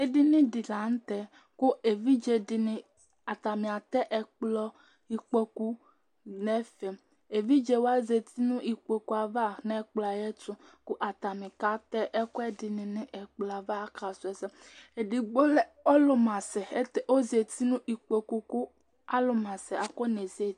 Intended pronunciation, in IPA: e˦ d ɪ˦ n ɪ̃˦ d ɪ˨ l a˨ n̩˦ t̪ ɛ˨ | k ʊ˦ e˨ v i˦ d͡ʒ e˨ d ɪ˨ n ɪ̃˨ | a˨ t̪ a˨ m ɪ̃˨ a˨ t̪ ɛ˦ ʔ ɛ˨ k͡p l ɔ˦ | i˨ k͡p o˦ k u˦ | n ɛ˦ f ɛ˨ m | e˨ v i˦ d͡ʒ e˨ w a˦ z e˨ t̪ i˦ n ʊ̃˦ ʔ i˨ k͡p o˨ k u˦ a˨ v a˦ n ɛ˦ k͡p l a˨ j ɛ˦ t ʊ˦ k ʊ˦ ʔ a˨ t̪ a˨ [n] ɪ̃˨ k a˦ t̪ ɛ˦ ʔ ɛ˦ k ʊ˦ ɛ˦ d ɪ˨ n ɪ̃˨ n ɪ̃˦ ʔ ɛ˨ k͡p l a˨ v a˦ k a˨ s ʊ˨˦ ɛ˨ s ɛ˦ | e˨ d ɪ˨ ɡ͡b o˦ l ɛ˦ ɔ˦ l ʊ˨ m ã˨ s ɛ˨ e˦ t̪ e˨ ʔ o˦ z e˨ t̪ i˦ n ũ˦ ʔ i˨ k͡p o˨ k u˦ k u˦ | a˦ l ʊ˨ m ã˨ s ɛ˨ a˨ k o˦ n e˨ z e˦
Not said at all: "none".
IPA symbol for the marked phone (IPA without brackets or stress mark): m